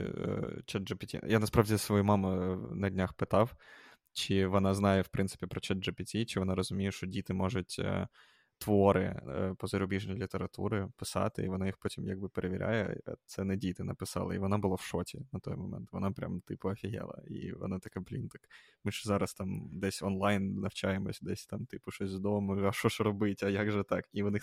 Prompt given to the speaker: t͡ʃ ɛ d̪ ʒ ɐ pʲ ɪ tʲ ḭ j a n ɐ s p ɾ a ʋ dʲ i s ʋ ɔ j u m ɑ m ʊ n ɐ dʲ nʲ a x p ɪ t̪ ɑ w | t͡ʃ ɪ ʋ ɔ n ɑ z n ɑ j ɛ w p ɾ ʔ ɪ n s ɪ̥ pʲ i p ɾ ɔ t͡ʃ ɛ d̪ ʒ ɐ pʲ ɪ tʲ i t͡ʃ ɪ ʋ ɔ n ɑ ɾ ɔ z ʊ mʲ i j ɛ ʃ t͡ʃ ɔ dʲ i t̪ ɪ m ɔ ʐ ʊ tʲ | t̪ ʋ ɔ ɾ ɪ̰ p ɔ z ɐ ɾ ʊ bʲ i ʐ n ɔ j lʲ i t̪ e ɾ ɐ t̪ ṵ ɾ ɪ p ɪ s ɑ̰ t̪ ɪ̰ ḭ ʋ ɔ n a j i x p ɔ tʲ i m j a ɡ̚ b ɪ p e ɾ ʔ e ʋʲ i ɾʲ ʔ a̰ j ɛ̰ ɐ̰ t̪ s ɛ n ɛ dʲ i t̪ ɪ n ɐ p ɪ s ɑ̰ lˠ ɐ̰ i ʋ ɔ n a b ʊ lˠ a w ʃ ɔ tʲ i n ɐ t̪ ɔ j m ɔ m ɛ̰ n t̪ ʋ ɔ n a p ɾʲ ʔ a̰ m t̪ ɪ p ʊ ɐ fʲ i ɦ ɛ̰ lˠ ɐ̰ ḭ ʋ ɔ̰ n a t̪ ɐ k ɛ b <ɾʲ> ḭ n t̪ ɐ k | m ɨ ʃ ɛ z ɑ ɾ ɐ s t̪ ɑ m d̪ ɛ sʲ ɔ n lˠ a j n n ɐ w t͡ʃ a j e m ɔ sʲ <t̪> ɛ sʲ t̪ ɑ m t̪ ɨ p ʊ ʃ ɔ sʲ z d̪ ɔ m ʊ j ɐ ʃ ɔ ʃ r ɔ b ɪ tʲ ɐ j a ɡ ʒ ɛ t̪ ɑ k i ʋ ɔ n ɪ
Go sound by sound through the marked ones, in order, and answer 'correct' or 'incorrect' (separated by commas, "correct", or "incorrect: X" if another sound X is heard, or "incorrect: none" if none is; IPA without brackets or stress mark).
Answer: incorrect: lʲ, incorrect: d̪